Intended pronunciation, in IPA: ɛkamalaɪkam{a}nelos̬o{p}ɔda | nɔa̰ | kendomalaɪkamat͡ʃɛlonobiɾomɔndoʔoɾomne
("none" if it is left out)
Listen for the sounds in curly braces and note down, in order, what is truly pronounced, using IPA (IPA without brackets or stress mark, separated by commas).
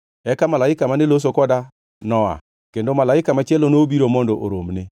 a, k